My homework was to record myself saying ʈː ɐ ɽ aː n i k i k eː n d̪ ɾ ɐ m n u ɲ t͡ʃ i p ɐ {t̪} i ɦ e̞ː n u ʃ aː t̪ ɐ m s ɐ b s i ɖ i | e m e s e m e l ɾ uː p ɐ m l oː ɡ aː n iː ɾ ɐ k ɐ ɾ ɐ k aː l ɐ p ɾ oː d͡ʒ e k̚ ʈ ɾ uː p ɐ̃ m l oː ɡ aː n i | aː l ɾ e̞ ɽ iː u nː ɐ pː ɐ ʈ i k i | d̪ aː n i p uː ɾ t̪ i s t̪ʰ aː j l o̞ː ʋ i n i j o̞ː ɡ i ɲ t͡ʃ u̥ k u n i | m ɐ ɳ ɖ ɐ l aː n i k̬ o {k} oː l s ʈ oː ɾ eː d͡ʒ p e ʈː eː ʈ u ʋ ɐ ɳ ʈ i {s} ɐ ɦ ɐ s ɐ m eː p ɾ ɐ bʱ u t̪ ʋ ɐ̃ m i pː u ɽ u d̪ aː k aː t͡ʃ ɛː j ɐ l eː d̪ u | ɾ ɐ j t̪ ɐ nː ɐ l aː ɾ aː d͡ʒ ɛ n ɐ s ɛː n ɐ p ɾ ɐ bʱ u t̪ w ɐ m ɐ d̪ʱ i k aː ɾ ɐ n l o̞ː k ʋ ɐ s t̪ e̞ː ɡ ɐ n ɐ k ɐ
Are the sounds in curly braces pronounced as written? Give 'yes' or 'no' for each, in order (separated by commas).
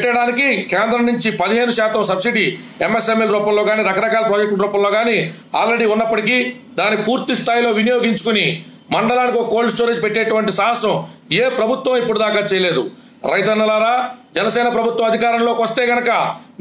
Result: no, yes, yes